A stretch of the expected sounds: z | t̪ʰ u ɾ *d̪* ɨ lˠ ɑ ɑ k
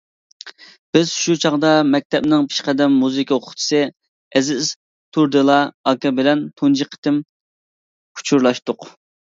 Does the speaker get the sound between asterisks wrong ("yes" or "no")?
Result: no